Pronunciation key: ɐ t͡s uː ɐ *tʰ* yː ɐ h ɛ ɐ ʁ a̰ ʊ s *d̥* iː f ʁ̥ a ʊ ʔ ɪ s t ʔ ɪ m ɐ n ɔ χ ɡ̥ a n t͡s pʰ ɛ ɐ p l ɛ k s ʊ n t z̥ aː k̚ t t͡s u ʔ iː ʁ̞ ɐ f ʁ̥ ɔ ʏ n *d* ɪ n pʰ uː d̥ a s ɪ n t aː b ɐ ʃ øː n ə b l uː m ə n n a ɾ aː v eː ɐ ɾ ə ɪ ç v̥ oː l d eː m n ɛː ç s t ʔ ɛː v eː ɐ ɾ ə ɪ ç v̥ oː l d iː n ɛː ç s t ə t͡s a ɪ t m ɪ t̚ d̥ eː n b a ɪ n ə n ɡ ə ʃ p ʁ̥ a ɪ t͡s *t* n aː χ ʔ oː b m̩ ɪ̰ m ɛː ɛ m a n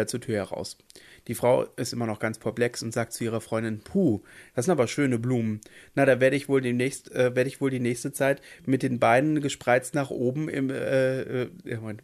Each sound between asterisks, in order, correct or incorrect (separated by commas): correct, correct, correct, correct